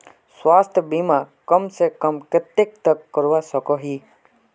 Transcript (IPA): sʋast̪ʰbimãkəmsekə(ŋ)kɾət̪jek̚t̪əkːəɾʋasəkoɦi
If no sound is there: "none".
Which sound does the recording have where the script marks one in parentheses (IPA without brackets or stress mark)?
m